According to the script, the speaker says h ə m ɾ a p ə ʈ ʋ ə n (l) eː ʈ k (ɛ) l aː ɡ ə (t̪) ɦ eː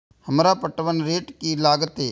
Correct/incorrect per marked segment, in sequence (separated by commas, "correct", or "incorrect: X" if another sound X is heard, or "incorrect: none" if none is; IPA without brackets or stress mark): incorrect: ɾ, incorrect: i, correct